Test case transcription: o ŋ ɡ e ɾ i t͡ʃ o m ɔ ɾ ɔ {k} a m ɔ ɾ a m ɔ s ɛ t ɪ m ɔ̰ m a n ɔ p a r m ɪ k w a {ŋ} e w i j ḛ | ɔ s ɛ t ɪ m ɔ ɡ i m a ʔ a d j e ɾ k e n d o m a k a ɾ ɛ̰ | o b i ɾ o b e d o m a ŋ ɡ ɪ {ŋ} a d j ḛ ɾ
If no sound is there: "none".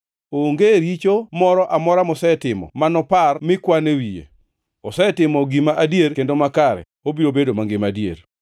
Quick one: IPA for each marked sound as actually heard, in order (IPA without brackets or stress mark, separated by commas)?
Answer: ʔ, n, m